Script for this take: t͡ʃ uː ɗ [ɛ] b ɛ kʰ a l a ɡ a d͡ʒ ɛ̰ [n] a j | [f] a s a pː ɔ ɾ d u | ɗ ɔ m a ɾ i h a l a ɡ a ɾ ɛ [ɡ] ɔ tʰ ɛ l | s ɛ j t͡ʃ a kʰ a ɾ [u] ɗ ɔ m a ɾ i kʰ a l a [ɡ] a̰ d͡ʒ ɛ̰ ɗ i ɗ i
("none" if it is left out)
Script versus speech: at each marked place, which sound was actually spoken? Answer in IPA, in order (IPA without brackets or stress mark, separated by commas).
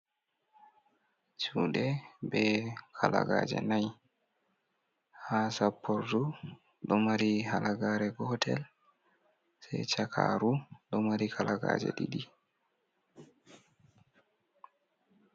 ɛ, n, h, ɡ, u, ɡ